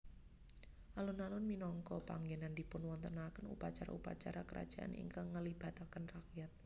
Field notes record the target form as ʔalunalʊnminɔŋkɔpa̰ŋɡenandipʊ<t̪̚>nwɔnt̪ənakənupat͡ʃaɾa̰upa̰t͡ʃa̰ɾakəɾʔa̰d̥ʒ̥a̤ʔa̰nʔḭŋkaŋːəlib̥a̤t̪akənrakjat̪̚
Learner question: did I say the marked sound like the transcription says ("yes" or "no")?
no